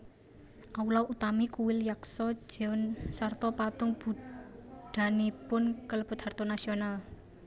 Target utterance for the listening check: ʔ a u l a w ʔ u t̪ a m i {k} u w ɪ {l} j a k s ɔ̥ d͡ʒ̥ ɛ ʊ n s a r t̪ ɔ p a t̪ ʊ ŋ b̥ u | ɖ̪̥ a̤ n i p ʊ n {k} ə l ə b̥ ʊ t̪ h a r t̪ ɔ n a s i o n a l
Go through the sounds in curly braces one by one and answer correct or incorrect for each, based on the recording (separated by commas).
correct, correct, correct